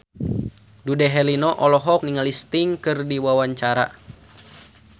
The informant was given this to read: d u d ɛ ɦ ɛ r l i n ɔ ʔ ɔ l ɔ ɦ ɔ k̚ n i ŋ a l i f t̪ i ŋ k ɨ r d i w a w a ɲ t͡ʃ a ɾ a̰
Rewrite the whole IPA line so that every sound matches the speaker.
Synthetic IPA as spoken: d u d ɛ ɦ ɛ l i n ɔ ʔ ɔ l ɔ ɦ ɔ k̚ n i ŋ a l i s t̪ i ŋ k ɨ r d i w a w a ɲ t͡ʃ a ɾ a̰